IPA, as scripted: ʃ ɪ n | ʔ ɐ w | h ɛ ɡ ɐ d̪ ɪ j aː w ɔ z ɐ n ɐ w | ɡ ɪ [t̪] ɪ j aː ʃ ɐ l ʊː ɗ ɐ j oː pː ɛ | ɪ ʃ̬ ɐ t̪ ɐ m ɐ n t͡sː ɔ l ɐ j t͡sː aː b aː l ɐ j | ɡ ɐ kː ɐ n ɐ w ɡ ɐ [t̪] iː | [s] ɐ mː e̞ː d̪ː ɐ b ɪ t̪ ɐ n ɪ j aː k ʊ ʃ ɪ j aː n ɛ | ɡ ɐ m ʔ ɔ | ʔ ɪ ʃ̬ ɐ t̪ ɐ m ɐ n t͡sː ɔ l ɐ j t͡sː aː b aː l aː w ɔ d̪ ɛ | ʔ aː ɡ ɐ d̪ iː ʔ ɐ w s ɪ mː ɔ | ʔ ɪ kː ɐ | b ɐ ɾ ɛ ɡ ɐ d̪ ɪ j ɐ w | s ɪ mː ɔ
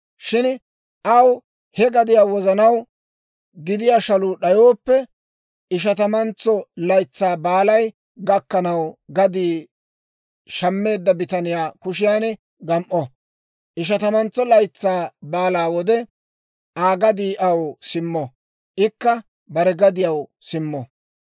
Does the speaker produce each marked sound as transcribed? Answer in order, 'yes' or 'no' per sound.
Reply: no, no, no

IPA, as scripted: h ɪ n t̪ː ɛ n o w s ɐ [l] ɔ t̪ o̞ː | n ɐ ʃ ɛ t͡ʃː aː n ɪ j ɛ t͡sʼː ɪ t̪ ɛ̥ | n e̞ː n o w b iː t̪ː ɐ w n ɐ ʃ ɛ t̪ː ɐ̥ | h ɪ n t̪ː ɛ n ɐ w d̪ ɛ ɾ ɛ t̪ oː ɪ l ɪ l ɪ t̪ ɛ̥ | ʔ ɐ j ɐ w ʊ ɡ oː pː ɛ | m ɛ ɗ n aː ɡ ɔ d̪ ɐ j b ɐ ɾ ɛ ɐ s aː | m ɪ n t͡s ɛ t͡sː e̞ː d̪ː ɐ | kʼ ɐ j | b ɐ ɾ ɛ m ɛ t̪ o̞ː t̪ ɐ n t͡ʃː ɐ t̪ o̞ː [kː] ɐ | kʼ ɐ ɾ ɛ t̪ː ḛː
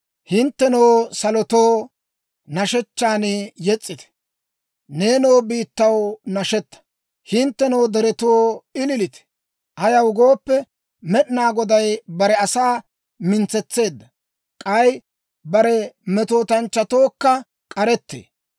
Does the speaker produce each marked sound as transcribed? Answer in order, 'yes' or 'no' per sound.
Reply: yes, yes

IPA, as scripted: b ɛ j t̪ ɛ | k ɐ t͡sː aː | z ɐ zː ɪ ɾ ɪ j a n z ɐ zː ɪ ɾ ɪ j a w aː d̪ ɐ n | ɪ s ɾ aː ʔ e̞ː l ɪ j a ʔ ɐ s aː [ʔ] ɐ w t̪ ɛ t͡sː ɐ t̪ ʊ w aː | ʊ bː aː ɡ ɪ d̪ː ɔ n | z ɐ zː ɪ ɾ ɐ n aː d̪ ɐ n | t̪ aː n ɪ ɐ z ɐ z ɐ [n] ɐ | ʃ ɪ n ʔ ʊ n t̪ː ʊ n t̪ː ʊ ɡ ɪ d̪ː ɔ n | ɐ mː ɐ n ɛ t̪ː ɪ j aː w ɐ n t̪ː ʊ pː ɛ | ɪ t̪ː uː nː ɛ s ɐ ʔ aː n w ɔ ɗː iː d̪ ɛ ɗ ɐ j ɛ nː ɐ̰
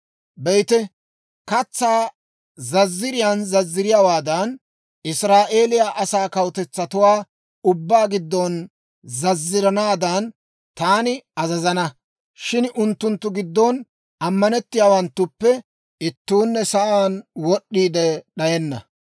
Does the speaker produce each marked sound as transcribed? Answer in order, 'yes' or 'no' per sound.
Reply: no, yes

